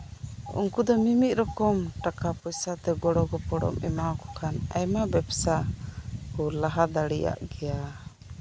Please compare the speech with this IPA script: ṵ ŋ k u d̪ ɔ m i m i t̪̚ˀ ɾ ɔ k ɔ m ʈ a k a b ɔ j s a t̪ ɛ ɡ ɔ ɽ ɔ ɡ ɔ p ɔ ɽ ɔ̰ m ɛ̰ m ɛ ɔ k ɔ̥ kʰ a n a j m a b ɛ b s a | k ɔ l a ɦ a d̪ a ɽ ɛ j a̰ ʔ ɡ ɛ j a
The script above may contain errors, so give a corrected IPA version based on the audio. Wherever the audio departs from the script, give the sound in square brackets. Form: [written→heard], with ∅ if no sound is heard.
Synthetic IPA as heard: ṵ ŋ k u d̪ ɔ m i m i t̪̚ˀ ɾ ɔ k ɔ m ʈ a k a [b→p] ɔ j s a t̪ ɛ ɡ ɔ ɽ ɔ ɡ ɔ p ɔ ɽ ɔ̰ m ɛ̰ m [ɛ→a] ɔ k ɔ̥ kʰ a n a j m a b ɛ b s a | k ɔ l a ɦ a d̪ a ɽ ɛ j a̰ ʔ ɡ ɛ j a